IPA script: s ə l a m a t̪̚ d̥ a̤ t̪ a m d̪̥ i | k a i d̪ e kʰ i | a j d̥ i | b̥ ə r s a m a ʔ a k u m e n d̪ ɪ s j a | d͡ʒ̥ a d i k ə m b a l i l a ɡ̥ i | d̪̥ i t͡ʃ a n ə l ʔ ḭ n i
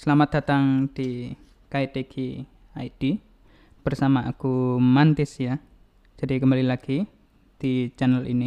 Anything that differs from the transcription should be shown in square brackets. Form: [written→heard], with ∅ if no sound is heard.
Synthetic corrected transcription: s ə l a m a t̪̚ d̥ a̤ t̪ a [m→ŋ] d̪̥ i | k a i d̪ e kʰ i | a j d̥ i | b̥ ə r s a m a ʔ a k u m [e→a] n [d̪→t̪] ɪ s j a | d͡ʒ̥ a d i k ə m b a l i l a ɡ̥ i | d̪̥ i t͡ʃ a n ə l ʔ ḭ n i